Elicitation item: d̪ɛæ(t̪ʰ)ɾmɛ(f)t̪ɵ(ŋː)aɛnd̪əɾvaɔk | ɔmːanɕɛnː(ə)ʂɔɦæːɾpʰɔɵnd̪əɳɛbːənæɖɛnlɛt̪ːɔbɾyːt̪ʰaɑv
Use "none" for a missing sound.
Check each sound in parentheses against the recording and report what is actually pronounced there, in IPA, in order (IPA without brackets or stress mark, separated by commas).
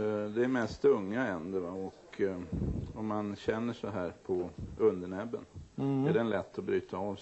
none, s, ŋː, ə